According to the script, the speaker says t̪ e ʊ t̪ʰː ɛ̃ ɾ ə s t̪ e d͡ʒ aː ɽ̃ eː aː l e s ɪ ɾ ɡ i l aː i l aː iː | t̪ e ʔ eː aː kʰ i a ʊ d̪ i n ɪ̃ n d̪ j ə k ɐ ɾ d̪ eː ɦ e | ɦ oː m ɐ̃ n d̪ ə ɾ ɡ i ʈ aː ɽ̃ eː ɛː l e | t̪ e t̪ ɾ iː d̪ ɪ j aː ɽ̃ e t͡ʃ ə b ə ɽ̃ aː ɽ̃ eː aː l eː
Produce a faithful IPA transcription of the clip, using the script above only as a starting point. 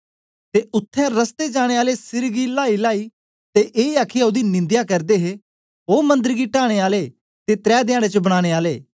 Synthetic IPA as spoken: t̪ e ʊ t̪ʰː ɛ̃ ɾ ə s t̪ e d͡ʒ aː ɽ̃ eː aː l e s ɪ ɾ ɡ i l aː i l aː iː | t̪ e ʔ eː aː kʰ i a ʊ d̪ i n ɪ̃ n d̪ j a k ɐ ɾ d̪ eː ɦ e | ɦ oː m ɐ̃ n d̪ ə ɾ ɡ i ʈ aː ɽ̃ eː aː l e | t̪ e t̪ ɾ ɛː d̪ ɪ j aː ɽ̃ e t͡ʃ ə b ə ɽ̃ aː ɽ̃ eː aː l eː